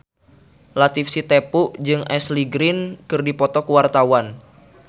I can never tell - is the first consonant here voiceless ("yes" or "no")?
no